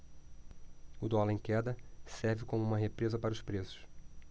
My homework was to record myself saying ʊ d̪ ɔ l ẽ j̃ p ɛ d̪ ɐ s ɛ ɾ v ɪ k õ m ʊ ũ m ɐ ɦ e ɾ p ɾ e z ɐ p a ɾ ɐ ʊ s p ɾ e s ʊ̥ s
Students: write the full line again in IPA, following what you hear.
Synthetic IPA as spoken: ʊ d̪ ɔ l ẽ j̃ k ɛ d̪ ɐ s ɛ ɾ v ɪ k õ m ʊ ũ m ɐ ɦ e p ɾ e z ɐ p a ɾ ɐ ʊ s p ɾ e s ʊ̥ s